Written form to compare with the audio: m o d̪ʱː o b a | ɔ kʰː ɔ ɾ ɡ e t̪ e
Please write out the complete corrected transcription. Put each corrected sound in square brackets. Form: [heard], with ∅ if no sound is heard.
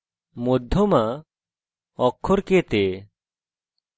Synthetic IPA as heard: m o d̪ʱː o [m] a | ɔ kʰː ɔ ɾ [k] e t̪ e